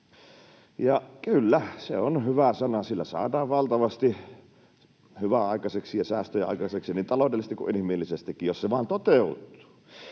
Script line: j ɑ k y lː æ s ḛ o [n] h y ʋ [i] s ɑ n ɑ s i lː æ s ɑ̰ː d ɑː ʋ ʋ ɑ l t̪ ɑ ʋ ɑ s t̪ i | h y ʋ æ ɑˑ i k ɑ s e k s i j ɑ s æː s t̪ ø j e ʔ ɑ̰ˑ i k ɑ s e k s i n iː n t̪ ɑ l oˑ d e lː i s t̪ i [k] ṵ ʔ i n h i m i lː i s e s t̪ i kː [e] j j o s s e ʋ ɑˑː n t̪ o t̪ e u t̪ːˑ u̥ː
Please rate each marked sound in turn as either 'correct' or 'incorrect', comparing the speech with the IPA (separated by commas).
correct, incorrect, correct, incorrect